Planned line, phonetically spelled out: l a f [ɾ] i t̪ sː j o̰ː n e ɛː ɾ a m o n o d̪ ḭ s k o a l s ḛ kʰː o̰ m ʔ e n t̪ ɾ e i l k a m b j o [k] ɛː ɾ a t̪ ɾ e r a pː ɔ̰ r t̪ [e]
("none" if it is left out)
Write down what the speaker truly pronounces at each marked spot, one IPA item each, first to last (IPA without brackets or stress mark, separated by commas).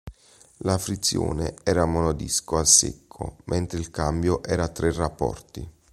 ɾ, ʔ, i